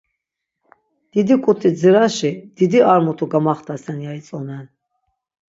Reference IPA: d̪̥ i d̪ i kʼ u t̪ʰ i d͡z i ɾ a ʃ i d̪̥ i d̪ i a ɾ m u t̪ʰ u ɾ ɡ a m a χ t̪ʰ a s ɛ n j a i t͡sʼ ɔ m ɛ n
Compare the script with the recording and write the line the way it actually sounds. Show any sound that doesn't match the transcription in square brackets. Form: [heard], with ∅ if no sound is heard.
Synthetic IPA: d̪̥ i d̪ i kʼ u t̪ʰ i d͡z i ɾ a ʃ i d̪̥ i d̪ i a ɾ m u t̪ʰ u [∅] ɡ a m a χ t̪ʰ a s ɛ n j a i t͡sʼ ɔ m ɛ n